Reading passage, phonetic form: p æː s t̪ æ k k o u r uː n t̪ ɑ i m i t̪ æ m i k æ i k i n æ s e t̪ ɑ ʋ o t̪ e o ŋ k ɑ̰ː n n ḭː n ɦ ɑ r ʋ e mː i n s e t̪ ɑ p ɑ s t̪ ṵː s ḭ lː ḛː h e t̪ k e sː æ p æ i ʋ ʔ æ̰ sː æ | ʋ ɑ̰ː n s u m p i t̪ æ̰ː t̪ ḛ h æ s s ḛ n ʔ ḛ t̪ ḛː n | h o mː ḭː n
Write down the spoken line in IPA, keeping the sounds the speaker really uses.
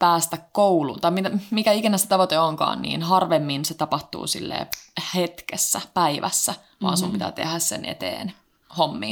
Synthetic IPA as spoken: p æː s t̪ æ k k o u l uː n t̪ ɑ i m i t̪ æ m i k æ i k i n æ s e t̪ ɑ ʋ o t̪ e o ŋ k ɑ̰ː n n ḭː n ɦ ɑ r ʋ e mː i n s e t̪ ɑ p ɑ h t̪ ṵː s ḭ lː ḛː h e t̪ k e sː æ p æ i ʋ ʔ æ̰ sː æ | ʋ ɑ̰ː n s u m p i t̪ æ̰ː t̪ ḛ h æ s s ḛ n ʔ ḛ t̪ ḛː n | h o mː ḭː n